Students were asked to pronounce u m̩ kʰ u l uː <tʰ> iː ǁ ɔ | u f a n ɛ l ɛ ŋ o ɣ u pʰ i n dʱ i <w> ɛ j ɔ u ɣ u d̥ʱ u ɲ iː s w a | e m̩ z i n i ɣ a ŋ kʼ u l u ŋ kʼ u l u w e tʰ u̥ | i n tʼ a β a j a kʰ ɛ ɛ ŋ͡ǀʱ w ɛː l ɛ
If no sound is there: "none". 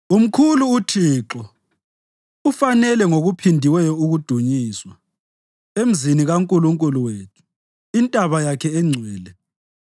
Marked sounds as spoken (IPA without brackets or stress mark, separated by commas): tʰ, w